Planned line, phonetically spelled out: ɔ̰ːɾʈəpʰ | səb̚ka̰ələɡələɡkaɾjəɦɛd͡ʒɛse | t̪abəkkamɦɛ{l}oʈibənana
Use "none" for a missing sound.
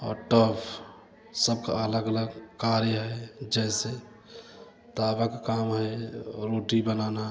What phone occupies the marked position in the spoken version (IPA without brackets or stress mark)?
ɾ